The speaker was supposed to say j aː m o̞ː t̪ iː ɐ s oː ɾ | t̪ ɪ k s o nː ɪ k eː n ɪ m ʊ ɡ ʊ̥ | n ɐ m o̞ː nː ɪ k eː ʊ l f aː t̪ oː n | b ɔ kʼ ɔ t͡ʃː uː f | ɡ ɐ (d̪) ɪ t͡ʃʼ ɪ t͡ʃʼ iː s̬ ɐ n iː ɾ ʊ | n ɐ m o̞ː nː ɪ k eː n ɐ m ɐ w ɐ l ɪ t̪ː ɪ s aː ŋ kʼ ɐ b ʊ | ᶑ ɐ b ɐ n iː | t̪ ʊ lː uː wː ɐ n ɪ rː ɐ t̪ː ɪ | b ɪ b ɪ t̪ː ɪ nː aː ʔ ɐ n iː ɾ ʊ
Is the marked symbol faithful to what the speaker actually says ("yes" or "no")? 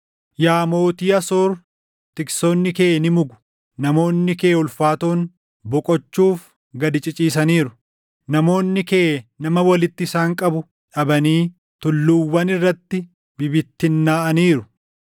yes